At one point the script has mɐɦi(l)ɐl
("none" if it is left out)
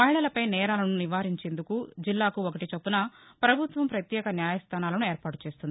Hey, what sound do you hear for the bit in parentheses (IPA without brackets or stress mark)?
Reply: ɭ